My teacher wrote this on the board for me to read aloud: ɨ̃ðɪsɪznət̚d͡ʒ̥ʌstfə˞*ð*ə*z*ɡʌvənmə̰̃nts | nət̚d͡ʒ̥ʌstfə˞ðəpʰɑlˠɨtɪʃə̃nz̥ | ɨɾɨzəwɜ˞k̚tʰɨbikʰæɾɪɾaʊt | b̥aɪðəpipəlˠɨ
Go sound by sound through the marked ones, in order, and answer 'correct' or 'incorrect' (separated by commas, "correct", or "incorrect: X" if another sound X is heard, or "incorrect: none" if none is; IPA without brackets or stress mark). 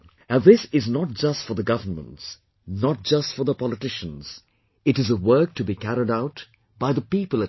correct, incorrect: none